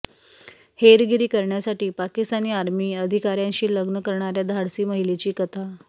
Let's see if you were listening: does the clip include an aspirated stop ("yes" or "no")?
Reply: yes